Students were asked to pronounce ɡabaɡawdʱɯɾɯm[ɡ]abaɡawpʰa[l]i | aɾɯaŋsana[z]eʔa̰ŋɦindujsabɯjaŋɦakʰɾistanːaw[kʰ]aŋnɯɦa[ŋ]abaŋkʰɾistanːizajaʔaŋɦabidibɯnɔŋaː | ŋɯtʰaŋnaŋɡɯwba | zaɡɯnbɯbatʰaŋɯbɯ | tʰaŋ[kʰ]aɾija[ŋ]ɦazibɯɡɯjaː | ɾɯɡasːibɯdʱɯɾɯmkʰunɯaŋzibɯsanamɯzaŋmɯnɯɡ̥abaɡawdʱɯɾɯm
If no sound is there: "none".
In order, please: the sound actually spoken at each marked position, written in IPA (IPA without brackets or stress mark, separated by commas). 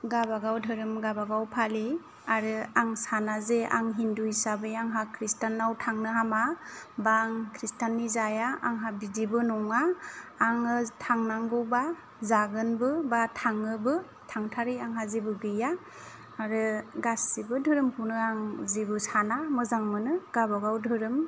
ɡ, l, z, tʰ, m, tʰ, ŋ